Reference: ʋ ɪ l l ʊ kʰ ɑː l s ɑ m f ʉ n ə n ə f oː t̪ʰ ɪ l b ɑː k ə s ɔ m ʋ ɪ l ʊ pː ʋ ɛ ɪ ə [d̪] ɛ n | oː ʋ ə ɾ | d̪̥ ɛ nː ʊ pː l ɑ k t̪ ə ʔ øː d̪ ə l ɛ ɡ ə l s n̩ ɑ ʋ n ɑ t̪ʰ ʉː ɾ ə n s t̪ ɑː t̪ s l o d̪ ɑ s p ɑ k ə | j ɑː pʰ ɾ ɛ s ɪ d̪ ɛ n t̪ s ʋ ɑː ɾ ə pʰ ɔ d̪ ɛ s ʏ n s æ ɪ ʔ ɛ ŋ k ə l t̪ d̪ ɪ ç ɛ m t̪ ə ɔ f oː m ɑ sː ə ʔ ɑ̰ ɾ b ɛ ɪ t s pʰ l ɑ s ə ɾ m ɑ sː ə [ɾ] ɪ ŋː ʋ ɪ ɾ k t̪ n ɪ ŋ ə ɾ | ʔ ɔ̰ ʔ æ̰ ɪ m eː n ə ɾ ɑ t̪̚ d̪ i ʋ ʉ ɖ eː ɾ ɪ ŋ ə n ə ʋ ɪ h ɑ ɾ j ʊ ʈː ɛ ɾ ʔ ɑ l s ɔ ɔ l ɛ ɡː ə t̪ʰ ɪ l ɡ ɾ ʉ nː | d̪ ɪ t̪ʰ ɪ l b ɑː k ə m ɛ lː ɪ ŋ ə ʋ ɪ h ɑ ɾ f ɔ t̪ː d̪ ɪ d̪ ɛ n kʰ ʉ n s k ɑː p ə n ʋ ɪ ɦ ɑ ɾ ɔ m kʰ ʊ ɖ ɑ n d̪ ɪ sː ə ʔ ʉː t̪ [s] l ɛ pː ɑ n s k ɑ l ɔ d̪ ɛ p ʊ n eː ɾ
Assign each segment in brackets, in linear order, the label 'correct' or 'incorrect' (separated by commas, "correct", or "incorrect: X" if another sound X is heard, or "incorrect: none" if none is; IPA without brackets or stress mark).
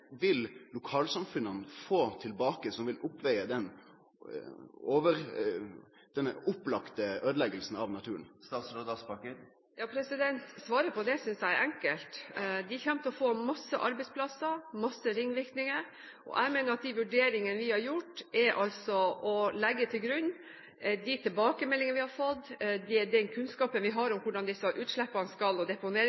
correct, correct, incorrect: ʂ